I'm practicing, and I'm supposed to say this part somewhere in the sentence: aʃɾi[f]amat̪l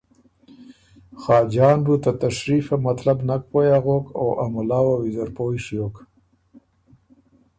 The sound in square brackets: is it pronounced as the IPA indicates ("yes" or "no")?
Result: yes